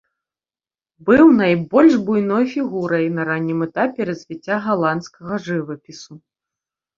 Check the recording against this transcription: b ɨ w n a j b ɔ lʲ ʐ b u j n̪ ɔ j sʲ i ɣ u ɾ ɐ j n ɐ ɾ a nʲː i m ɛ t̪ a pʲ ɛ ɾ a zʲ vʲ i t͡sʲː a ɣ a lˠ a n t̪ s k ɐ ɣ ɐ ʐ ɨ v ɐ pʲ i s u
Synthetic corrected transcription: b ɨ w n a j b ɔ lʲ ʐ b u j n̪ ɔ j fʲ i ɣ u ɾ ɐ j n ɐ ɾ a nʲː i m ɛ t̪ a pʲ ɛ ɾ ɐ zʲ vʲ i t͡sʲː a ɣ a lˠ a n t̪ s k ɐ ɣ ɐ ʐ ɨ v ɐ pʲ i s u